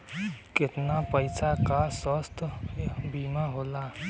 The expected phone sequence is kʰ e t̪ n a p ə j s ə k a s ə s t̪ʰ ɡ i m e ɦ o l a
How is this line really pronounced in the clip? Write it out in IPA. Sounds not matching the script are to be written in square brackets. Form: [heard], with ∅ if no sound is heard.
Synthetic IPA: [k] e t̪ n a p ə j s [a] k a s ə s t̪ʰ [b] i m [a] ɦ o l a